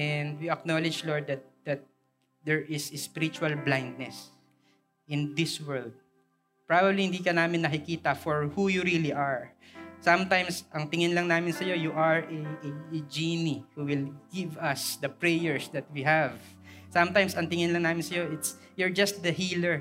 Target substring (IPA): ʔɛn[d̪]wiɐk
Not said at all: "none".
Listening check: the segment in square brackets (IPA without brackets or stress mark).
d̪